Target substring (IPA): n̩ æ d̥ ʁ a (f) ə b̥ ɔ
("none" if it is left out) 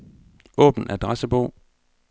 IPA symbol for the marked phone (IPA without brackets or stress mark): s